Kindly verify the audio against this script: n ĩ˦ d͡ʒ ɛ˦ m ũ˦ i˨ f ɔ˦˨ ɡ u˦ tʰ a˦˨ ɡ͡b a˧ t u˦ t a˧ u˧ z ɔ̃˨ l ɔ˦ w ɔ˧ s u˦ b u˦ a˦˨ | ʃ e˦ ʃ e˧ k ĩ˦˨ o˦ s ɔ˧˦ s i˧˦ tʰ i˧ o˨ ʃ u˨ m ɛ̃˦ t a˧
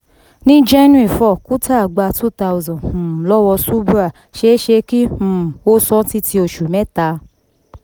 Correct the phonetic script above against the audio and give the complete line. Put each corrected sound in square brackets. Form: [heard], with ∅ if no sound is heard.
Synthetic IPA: n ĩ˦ d͡ʒ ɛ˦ [n] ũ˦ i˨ f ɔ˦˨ [k] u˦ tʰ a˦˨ ɡ͡b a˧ t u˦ t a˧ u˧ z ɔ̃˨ l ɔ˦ w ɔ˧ s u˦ b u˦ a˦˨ | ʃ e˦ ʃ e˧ k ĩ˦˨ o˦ s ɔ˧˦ [t] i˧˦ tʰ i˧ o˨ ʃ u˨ m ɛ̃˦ t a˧